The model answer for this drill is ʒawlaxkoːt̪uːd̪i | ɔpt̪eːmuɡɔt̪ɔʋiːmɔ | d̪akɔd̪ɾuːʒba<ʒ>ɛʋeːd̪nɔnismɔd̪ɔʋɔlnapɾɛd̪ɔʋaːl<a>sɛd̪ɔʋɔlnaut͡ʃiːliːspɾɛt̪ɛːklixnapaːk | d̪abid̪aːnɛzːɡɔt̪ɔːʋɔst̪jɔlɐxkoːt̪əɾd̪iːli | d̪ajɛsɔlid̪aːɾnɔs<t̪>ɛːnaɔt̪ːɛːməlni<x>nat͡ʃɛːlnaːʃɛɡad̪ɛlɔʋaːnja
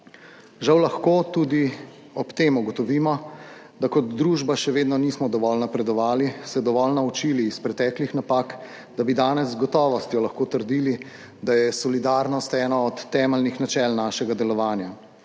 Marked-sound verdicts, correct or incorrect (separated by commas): incorrect, incorrect, correct, correct